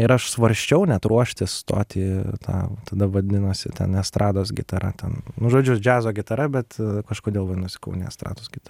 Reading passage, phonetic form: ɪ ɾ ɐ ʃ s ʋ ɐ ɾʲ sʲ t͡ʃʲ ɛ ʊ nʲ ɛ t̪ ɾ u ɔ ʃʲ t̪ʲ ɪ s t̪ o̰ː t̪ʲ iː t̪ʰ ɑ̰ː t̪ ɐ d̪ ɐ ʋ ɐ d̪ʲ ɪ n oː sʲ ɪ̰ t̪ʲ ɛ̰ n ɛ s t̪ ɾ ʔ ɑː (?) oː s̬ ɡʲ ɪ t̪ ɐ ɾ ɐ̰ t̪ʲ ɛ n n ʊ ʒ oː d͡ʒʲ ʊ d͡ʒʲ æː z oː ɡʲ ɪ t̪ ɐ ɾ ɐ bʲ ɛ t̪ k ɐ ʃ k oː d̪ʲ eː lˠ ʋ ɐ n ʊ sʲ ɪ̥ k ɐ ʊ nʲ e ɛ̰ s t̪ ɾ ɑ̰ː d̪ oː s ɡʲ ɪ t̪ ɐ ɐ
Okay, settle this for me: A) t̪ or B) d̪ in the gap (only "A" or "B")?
B